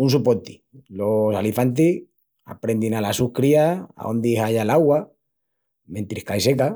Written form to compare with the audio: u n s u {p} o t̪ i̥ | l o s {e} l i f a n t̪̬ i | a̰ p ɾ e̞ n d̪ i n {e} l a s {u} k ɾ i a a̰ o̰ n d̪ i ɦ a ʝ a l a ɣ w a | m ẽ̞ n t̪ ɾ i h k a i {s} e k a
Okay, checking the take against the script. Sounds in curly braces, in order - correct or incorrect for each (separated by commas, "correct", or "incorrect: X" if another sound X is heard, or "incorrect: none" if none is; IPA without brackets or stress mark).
correct, incorrect: a, incorrect: a, correct, correct